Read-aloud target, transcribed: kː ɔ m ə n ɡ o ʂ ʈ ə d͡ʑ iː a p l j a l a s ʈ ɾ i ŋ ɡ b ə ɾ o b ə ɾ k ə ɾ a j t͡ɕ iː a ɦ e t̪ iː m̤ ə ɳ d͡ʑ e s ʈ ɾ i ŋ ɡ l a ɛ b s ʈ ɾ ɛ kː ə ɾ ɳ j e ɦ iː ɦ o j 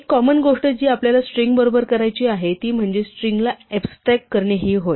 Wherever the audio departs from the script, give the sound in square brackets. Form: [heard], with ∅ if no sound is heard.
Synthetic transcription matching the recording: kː ɔ m ə n ɡ o ʂ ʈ ə d͡ʑ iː a p l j a l a s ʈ ɾ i ŋ ɡ b ə ɾ o b ə ɾ k ə ɾ a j t͡ɕ iː a ɦ e t̪ iː m̤ ə ɳ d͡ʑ e s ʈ ɾ i ŋ ɡ l a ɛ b s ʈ ɾ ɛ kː ə ɾ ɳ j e ɦ iː ɦ o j

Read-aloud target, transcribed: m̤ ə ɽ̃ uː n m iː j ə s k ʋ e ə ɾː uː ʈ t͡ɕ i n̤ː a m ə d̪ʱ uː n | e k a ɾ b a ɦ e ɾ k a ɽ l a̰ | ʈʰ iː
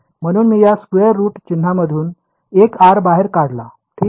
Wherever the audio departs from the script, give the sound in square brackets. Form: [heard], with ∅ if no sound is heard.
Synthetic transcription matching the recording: m̤ ə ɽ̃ uː n m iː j [a] s k ʋ e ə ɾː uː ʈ t͡ɕ i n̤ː a m ə d̪ʱ uː n | e k a ɾ b a ɦ e ɾ k a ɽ l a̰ | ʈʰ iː

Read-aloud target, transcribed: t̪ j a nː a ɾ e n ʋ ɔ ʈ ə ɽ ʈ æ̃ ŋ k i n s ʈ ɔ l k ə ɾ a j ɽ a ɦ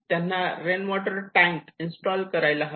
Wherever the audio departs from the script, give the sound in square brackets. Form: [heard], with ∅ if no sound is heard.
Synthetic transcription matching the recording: t̪ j a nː a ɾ e n ʋ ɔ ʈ ə [ɾ] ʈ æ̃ ŋ k i n s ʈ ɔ l k ə ɾ a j [l] a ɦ

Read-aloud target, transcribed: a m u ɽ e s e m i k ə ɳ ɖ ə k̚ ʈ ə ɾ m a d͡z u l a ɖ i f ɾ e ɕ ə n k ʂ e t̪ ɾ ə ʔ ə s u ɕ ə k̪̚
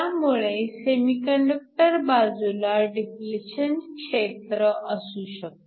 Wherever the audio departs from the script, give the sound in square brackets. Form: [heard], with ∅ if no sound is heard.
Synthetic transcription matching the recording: a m u [ɭ] e s e m i k ə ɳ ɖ ə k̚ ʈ ə ɾ [b] a d͡z u l a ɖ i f [l] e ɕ ə n k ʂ e t̪ ɾ ə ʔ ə s u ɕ ə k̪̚

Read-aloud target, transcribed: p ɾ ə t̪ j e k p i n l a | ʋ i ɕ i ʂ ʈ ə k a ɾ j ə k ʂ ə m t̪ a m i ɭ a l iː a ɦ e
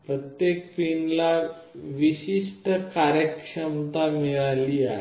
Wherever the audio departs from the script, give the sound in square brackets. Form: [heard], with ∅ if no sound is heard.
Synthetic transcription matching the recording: p ɾ ə t̪ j e k p i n l a | ʋ i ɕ i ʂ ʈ ə k a ɾ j ə k ʂ ə m t̪ a m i ɭ a l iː a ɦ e

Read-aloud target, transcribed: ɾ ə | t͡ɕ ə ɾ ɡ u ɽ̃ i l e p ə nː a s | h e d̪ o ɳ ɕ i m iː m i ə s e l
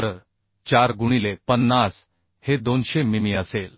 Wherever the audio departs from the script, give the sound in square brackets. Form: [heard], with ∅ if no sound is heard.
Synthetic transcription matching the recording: ɾ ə | t͡ɕ [a] ɾ ɡ u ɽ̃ i l e p ə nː a s | h e d̪ o [n] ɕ [e] m [i] m i ə s e l

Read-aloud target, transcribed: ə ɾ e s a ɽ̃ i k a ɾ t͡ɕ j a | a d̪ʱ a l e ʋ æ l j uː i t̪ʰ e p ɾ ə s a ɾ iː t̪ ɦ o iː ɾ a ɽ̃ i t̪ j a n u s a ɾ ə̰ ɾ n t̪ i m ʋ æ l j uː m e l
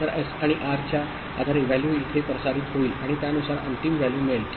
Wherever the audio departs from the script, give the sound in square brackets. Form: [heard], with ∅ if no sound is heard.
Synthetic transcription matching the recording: ə ɾ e s a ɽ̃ i [ʔ] a ɾ t͡ɕ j a | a d̪ʱ a [ɾ] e ʋ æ l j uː i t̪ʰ e p ɾ ə s a ɾ iː t̪ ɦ o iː [l] a ɽ̃ i t̪ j a n u s a ɾ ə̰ [∅] n t̪ i m ʋ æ l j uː m e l

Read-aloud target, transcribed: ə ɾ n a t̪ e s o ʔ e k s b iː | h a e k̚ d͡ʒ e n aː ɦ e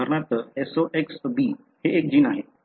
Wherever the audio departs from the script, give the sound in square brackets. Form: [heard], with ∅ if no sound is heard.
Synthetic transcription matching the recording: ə ɾ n a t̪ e s o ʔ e k s b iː | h [e] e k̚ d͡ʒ [i] n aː ɦ e

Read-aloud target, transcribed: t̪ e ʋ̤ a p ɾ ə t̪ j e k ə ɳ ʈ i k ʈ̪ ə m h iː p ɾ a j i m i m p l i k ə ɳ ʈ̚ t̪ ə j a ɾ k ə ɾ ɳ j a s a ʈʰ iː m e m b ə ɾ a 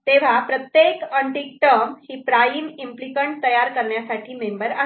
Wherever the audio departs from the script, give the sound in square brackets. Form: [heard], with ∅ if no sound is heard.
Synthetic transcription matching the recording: t̪ e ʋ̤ a p ɾ ə t̪ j e k ə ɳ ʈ i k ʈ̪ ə m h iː p ɾ a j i m i m p l i k ə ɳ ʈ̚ t̪ ə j a ɾ k ə ɾ ɳ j a s a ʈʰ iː m e m b ə ɾ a

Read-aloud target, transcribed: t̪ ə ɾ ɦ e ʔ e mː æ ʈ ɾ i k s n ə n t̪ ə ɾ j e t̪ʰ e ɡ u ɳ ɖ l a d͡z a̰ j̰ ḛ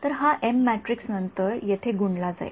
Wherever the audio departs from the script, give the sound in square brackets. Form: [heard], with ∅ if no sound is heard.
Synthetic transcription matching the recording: t̪ ə ɾ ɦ [a] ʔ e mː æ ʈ ɾ i k s n ə n t̪ ə ɾ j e t̪ʰ e ɡ u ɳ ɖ l a d͡z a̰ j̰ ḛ

